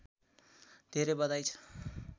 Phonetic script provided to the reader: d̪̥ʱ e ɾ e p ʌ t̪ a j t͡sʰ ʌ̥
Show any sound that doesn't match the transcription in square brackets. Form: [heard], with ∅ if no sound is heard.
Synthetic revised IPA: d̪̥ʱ e ɾ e [b] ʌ [d̪] a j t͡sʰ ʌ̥